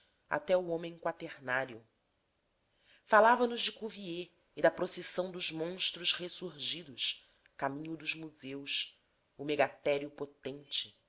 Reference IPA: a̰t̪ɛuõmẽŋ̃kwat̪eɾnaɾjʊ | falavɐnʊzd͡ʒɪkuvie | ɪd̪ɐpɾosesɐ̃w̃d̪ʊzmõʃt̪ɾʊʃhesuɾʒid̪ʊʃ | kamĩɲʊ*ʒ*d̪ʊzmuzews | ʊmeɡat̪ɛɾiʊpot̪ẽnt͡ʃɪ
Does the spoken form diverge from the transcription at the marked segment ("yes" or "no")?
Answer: yes